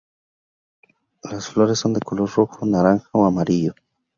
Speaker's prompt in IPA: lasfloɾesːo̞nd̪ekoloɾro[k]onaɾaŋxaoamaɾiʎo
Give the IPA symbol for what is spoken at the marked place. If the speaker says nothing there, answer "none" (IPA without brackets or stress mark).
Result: x